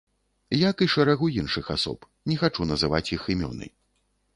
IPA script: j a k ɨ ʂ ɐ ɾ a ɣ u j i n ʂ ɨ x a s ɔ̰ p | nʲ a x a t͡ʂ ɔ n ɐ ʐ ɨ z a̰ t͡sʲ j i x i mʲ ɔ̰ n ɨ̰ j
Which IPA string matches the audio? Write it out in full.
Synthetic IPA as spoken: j a k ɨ ʂ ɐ ɾ a ɣ u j i n ʂ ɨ x a s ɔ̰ p | nʲ ɛ x a t͡ʂ u n ɐ z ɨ v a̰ t͡sʲ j i x i mʲ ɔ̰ n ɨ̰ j